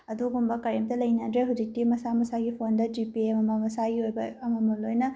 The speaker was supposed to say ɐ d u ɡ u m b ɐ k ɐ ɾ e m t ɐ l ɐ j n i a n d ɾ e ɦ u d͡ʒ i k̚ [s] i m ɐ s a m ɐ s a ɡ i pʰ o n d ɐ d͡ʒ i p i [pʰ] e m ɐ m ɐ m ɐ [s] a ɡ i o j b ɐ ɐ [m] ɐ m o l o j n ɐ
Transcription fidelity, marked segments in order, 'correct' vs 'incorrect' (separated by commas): incorrect, incorrect, correct, correct